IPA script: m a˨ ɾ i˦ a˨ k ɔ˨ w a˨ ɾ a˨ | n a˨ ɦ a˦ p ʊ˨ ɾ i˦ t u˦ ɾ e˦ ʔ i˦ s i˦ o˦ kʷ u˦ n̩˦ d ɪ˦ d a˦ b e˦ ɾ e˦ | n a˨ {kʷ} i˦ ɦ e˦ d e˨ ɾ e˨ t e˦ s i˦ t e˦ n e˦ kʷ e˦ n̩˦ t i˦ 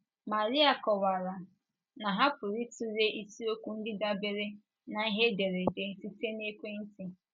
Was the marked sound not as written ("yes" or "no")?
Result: yes